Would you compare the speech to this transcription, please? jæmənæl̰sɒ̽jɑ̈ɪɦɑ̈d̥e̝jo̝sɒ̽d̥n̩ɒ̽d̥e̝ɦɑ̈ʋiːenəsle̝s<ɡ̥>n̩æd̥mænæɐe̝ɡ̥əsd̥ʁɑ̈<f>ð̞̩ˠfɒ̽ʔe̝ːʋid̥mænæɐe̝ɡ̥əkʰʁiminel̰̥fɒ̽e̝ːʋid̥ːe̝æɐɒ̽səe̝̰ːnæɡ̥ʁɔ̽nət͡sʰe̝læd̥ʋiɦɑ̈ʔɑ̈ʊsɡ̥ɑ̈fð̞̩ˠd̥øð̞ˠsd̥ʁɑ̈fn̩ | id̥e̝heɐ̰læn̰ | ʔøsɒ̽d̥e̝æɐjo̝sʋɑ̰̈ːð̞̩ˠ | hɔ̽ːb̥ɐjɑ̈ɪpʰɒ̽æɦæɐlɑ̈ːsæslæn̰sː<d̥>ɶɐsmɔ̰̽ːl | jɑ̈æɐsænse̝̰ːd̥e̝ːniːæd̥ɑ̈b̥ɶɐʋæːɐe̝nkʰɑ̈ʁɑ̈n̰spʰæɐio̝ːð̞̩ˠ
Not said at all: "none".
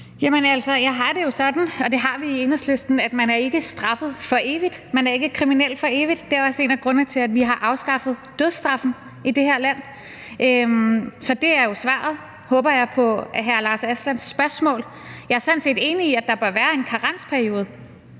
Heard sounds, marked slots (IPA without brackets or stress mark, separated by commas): d̥, f, b̥